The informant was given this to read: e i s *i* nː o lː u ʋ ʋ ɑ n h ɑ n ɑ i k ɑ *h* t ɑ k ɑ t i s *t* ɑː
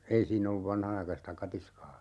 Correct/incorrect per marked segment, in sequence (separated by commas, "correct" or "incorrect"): incorrect, incorrect, incorrect